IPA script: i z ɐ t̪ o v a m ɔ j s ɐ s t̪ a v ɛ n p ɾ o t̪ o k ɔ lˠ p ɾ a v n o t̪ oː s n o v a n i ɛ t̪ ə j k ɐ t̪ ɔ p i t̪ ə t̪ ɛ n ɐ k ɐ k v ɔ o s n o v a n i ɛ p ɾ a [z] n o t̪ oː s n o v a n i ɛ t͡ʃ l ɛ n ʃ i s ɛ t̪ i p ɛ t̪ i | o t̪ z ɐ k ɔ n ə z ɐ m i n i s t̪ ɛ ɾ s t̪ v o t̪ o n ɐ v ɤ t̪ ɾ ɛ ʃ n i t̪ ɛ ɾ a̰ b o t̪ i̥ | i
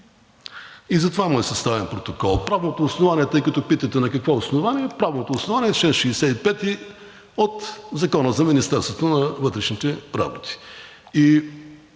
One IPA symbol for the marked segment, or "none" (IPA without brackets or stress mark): v